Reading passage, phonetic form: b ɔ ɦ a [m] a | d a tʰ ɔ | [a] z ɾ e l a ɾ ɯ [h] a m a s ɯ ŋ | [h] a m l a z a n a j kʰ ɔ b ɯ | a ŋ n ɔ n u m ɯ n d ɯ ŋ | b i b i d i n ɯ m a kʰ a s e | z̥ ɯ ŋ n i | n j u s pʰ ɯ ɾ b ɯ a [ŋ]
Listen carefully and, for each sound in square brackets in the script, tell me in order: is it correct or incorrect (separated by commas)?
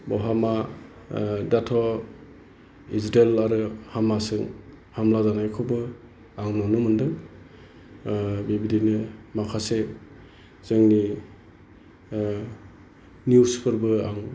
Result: correct, incorrect, correct, correct, correct